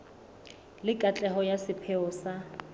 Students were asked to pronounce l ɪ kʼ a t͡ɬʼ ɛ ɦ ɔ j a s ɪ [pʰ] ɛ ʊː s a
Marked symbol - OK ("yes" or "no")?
yes